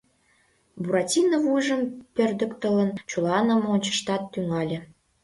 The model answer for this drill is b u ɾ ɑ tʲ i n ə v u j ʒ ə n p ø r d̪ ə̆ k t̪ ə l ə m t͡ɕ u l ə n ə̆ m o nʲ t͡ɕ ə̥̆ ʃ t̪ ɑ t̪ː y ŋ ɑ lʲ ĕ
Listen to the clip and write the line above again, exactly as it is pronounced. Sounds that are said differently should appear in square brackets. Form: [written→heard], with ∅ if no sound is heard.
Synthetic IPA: b u ɾ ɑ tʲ i n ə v u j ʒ ə [n→m] p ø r d̪ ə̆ k t̪ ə l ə [m→n] t͡ɕ u l [ə→ɑ] n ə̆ m o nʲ t͡ɕ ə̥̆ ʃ t̪ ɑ t̪ː y ŋ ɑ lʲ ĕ